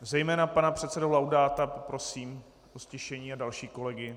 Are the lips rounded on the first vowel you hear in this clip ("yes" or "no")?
no